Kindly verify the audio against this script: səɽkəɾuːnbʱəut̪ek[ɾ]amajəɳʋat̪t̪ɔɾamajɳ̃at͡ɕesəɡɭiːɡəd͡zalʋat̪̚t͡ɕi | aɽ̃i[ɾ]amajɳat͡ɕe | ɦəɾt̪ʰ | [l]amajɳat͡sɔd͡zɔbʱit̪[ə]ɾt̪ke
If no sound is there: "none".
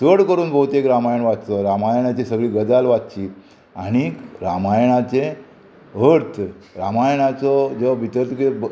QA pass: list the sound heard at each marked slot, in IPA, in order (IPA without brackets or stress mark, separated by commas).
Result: ɾ, ɾ, ɾ, ə